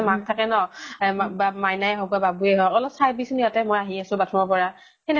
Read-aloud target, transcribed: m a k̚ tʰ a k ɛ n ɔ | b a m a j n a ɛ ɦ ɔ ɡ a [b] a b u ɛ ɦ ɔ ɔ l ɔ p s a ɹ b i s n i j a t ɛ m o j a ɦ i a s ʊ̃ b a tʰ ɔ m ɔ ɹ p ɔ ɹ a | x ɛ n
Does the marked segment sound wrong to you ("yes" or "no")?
no